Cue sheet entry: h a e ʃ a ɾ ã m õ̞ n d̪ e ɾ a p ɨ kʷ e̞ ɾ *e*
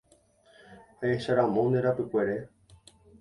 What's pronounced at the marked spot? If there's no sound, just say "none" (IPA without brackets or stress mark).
e